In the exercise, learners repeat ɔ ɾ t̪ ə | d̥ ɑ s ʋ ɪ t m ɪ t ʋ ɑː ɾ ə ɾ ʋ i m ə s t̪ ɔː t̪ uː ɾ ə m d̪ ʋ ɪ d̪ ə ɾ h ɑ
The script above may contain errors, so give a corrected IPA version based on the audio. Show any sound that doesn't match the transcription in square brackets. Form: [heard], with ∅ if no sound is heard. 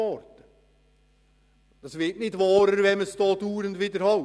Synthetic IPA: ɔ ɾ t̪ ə | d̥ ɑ s ʋ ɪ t [n] ɪ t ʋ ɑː ɾ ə ɾ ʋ [ɛ] m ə s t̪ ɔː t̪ uː ɾ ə [n] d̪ ʋ ɪ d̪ ə ɾ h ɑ